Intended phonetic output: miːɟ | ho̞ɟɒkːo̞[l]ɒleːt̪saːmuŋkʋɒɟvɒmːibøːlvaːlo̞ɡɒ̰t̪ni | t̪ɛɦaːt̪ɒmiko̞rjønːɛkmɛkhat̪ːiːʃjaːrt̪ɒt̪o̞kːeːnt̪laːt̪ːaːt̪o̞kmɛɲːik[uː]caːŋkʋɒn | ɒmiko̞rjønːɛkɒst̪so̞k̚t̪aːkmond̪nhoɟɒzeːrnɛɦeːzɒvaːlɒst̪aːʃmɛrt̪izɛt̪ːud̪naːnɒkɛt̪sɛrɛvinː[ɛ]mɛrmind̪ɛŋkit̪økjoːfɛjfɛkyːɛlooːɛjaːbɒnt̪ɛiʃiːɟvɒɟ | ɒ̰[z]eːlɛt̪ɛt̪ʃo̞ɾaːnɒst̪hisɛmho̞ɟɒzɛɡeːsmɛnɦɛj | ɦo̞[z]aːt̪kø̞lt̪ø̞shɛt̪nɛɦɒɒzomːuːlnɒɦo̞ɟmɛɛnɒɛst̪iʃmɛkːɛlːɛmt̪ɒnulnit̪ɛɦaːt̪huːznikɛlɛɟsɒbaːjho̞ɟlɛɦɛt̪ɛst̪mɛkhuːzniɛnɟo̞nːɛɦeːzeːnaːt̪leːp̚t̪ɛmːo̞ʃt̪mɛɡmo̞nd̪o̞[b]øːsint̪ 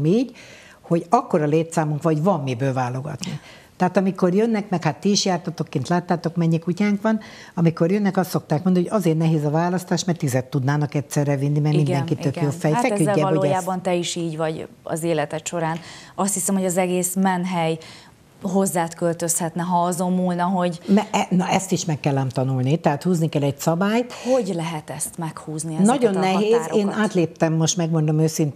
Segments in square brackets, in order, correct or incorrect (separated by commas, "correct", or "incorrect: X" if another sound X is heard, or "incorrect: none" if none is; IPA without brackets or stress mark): incorrect: ɾ, incorrect: u, incorrect: i, correct, incorrect: zː, incorrect: m